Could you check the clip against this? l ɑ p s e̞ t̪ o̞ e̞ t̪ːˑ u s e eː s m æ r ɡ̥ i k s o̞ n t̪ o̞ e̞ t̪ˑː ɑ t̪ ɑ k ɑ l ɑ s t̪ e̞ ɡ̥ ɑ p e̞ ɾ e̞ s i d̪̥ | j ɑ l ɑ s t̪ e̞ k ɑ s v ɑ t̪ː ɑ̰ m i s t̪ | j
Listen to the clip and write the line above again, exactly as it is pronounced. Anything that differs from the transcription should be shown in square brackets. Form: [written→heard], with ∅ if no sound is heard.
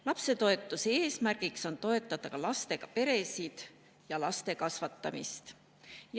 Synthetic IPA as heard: l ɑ p s e̞ t̪ o̞ e̞ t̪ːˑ u s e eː s m æ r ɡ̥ i k s o̞ n t̪ o̞ e̞ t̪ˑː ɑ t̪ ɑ k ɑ l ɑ s t̪ e̞ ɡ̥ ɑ p e̞ ɾ e̞ s i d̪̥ | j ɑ l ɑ s t̪ e̞ k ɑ s v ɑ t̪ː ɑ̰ m i s t̪ | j

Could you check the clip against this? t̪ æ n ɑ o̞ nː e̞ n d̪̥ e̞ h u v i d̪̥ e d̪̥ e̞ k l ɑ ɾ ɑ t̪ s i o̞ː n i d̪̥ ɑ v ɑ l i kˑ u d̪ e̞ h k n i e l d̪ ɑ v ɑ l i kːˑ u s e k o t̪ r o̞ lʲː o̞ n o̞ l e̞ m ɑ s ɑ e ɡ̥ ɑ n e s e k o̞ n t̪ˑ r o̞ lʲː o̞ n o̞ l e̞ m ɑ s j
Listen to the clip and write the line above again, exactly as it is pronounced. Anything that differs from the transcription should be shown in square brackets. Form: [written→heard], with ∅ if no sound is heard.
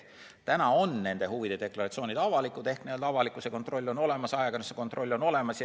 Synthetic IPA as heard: t̪ æ n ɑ o̞ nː e̞ n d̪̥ e̞ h u v i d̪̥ e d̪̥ e̞ k l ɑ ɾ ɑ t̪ s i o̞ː n i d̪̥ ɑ v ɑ l i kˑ u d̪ e̞ h k n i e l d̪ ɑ v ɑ l i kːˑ u s e k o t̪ r o̞ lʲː o̞ n o̞ l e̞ m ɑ s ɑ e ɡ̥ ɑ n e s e k o̞ n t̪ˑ r o̞ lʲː o̞ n o̞ l e̞ m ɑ s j

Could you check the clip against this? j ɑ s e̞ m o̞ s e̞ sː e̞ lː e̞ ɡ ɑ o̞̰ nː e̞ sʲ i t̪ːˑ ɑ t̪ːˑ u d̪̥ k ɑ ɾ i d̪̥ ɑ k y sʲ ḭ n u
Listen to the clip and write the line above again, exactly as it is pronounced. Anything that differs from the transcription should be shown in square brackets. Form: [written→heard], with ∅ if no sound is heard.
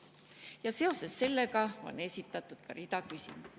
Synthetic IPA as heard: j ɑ s e̞ [m→∅] o̞ s e̞ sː e̞ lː e̞ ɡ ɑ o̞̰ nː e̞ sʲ i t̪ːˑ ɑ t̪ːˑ u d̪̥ k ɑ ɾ i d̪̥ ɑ k y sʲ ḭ [n→m] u

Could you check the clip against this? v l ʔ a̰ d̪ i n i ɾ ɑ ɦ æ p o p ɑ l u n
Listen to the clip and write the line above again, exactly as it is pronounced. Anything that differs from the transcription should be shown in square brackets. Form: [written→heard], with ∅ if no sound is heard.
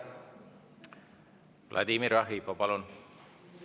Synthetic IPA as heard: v l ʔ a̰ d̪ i [n→m] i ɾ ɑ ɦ [æ→i] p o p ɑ l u n

